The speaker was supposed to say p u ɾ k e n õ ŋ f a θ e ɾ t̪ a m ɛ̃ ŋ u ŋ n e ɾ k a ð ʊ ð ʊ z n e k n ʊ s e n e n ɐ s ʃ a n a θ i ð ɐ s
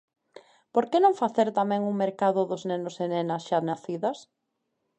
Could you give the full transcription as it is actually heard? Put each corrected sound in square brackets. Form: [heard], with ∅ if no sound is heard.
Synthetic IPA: p [o] ɾ k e n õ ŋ f a θ e ɾ t̪ a m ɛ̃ ŋ u ŋ [m] e ɾ k a ð ʊ ð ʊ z n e [∅] n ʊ s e n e n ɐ s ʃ a n a θ i ð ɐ s